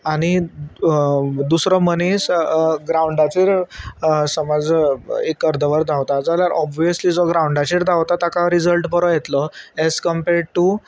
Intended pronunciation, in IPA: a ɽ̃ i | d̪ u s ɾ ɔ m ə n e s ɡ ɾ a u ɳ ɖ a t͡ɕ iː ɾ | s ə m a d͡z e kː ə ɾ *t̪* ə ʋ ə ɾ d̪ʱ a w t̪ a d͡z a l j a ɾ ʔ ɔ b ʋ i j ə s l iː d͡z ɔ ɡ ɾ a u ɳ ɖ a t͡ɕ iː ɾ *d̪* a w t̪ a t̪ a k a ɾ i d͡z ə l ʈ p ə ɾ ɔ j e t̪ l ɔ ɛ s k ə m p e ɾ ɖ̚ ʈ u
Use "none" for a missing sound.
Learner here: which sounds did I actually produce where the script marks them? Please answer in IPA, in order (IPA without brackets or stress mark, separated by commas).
d̪, d̪